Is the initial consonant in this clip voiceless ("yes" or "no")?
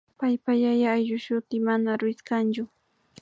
yes